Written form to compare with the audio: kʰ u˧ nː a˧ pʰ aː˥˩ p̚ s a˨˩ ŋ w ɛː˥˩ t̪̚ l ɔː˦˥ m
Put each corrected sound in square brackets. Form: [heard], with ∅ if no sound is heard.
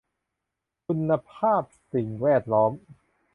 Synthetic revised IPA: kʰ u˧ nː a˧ pʰ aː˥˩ p̚ s [i˨˩] ŋ w ɛː˥˩ t̪̚ l ɔː˦˥ m